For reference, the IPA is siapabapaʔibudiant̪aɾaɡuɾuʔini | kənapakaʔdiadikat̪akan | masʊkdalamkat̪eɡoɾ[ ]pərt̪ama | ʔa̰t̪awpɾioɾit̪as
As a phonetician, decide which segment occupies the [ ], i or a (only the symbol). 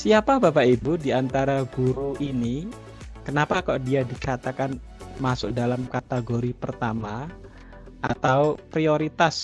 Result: i